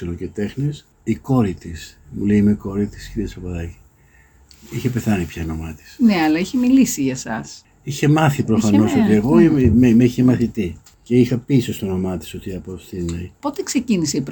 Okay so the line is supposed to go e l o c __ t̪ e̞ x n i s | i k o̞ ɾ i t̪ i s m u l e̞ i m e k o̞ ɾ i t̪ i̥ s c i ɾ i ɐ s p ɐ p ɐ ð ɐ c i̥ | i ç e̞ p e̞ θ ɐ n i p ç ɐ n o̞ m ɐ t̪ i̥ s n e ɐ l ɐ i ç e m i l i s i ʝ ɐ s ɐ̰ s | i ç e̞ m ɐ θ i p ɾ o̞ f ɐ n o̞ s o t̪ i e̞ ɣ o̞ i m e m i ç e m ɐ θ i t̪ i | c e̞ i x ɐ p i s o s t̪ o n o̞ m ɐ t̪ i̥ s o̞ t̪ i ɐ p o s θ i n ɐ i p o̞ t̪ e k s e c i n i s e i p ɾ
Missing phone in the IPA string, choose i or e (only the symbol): e